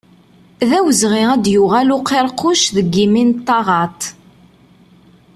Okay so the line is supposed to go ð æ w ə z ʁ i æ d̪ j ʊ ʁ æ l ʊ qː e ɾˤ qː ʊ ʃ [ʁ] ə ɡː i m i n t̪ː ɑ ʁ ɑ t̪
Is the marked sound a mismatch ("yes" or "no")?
yes